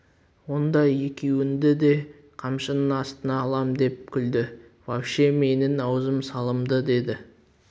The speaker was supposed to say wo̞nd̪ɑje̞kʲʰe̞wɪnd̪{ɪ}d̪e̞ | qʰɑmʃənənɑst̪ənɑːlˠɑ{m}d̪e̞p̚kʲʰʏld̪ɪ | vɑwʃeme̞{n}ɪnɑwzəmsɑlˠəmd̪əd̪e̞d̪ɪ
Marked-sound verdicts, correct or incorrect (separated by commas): correct, correct, correct